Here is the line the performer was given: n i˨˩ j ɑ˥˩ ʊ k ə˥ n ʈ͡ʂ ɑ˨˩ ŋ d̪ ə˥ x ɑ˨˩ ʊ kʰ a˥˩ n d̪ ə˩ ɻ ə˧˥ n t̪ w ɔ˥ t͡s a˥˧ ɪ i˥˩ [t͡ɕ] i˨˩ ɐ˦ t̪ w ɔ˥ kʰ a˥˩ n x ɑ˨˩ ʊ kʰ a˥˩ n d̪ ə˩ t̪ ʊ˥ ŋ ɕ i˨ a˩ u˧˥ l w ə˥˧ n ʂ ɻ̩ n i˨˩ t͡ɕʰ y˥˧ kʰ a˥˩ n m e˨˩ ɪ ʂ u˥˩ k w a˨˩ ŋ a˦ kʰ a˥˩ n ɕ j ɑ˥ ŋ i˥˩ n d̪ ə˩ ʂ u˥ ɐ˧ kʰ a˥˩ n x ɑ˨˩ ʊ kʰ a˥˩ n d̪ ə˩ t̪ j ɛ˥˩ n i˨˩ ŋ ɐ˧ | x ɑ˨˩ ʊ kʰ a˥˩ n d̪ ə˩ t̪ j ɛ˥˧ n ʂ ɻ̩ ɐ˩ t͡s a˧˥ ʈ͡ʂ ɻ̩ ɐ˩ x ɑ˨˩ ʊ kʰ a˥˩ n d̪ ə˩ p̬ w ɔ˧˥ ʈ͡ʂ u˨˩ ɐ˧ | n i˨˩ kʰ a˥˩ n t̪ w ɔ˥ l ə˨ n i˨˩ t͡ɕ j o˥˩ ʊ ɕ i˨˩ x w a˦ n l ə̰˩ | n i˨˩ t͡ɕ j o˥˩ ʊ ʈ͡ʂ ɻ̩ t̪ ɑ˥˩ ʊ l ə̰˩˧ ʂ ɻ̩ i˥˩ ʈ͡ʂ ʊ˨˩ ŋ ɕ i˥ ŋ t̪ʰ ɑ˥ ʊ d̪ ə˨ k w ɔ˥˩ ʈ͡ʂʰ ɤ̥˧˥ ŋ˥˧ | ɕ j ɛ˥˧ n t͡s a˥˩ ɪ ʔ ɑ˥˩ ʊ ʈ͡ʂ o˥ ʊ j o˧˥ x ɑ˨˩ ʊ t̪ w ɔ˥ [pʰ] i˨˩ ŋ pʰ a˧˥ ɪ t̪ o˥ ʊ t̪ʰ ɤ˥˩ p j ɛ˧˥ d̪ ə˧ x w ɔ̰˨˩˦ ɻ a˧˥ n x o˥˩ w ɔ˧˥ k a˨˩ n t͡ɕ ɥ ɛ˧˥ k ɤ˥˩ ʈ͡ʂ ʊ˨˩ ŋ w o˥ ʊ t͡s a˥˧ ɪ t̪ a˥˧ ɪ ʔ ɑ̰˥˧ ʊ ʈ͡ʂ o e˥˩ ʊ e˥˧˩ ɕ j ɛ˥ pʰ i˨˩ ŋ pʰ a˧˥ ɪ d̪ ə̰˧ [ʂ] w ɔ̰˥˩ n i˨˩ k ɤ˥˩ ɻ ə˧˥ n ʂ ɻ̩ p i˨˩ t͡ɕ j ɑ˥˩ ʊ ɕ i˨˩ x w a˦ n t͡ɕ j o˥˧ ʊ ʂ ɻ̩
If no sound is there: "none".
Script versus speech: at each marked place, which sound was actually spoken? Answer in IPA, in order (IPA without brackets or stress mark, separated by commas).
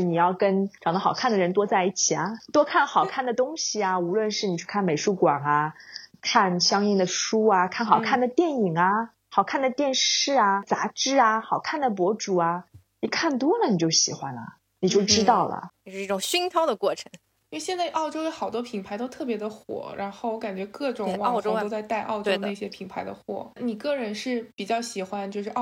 t͡ɕʰ, pʰ, x